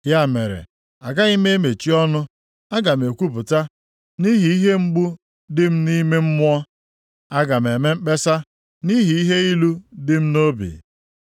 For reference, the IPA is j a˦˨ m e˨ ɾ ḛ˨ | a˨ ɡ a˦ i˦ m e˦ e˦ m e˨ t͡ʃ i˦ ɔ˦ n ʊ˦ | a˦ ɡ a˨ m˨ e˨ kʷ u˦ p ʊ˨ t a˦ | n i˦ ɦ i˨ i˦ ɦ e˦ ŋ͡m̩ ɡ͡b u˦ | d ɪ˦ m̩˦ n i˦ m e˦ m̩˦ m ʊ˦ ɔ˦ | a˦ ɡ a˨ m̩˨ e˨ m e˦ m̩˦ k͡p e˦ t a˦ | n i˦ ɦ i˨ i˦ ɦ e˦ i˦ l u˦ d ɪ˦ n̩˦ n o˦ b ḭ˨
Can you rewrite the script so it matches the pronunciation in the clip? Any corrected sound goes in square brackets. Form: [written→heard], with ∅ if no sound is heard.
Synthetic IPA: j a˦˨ m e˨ ɾ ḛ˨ | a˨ ɡ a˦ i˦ m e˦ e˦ m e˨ t͡ʃ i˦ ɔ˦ n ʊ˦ | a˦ ɡ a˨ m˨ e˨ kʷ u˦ p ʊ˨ t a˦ | n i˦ ɦ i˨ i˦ ɦ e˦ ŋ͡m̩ ɡ͡b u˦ | d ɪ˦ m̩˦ n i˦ m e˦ m̩˦ m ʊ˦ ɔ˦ | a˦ ɡ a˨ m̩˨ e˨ m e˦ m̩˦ k͡p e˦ [t→s] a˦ | n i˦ ɦ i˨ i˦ ɦ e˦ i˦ l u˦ d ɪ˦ [n̩˦→m̩˦] n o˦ b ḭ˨